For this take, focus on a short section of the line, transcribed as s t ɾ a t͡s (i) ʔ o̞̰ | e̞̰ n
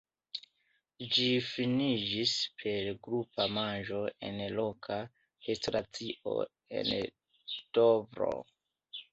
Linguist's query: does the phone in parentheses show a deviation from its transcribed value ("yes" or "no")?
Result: no